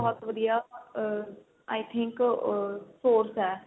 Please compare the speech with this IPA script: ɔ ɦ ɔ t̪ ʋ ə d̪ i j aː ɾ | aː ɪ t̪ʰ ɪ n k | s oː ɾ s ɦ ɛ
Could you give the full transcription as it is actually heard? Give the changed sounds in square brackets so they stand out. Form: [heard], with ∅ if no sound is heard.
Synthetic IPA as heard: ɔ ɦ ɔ t̪ ʋ ə d̪ i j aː [∅] | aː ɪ t̪ʰ ɪ [ŋ] k | s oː ɾ s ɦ [ɛː]